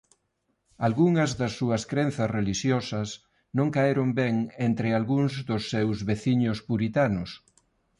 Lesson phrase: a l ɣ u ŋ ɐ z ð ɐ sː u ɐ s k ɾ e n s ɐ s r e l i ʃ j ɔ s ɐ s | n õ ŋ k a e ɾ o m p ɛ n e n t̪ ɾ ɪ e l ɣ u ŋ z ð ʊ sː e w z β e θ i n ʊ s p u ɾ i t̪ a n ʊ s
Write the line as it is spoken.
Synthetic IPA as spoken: a l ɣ u ŋ ɐ z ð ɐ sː u ɐ s k ɾ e n θ ɐ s r e l i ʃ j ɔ s ɐ s | n õ ŋ k a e ɾ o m b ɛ ŋ e n t̪ ɾ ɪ a l ɣ u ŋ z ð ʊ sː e w z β e θ i ɲ ʊ s p u ɾ i t̪ a n ʊ s